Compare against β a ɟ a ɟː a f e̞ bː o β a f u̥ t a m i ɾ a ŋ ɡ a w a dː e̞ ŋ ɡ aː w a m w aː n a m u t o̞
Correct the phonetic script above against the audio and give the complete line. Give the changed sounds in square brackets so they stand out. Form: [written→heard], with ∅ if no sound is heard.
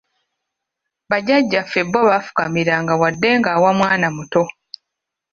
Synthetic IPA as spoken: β a ɟ a ɟː a f e̞ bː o β a f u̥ [t→k] a m i ɾ a ŋ ɡ a w a dː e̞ ŋ ɡ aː w a m w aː n a m u t o̞